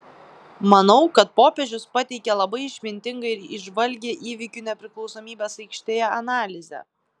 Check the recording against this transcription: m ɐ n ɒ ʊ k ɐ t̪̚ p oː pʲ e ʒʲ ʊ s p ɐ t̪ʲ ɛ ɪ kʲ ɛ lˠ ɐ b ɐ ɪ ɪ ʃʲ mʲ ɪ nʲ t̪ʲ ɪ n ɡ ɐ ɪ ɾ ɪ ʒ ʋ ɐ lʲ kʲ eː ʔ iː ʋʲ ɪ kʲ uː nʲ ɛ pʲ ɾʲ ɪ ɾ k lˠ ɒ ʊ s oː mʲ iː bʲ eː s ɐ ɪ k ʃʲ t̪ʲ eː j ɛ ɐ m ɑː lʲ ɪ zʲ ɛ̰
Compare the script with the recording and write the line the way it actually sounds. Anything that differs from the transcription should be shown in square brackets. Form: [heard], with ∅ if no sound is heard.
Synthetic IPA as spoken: m ɐ n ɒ ʊ k ɐ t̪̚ p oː pʲ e ʒʲ ʊ s p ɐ t̪ʲ ɛ ɪ kʲ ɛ lˠ ɐ b ɐ ɪ ɪ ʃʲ mʲ ɪ nʲ t̪ʲ ɪ [ŋ] ɡ ɐ ɪ ɾ ɪ ʒ ʋ ɐ lʲ [ɡʲ] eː ʔ iː ʋʲ ɪ kʲ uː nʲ ɛ pʲ ɾʲ ɪ [∅] k lˠ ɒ ʊ s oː mʲ iː bʲ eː s ɐ ɪ k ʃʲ t̪ʲ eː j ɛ ɐ [n] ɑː lʲ ɪ zʲ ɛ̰